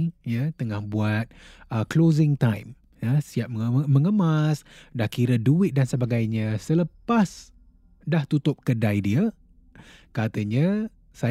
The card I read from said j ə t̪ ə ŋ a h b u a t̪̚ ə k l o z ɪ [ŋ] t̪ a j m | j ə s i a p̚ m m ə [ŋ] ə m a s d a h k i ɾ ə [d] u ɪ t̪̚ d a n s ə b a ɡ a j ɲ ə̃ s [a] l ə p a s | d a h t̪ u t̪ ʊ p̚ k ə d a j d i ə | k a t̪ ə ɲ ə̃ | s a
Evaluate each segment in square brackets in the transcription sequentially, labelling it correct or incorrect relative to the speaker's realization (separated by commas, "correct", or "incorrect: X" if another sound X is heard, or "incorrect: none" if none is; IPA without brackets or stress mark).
correct, correct, correct, incorrect: ə